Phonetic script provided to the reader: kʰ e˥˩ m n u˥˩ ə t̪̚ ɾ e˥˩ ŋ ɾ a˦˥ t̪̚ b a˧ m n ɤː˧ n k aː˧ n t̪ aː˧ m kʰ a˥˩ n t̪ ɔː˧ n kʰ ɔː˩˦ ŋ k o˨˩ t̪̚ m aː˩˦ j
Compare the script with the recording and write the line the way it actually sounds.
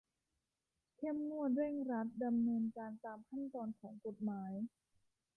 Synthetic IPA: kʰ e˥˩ m n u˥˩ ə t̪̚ ɾ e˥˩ ŋ ɾ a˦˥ t̪̚ d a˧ m n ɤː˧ n k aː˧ n t̪ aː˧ m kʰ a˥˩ n t̪ ɔː˧ n kʰ ɔː˩˦ ŋ k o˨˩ t̪̚ m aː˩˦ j